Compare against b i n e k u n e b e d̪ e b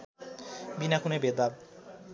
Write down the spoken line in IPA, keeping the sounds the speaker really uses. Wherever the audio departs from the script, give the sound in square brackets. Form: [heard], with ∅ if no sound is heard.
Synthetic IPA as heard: b i n [a] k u n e b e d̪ [a] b